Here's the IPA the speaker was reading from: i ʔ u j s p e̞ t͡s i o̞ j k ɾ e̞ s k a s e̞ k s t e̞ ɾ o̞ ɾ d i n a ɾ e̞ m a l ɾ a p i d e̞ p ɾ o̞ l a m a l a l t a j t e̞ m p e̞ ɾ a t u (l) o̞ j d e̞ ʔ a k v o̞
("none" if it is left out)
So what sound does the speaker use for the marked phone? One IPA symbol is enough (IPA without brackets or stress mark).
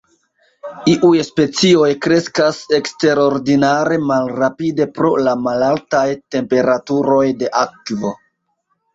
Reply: ɾ